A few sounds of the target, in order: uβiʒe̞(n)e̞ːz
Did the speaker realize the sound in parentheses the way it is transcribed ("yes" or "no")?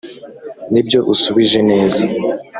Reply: yes